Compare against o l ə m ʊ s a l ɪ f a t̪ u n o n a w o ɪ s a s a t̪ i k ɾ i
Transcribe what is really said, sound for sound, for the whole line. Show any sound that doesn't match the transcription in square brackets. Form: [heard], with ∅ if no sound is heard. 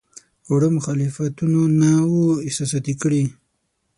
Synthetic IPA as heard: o [ɽ] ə m ʊ [x] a l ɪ f a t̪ u n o n a w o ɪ s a s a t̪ i k [ɽ] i